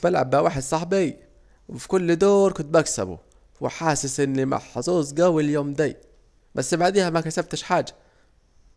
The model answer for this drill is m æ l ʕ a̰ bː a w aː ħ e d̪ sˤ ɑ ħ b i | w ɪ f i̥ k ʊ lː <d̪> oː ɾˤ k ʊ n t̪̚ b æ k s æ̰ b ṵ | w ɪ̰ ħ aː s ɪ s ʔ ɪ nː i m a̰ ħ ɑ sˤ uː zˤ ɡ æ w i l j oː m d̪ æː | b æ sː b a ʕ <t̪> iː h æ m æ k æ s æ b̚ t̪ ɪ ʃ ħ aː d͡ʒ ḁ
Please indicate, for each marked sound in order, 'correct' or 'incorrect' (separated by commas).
correct, incorrect